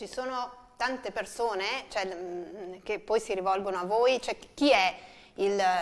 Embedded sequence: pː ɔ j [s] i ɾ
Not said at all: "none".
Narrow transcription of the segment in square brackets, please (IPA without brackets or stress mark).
s